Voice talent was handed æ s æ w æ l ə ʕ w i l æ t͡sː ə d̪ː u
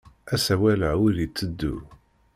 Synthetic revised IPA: æ s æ w æ l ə ʕ w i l i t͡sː ə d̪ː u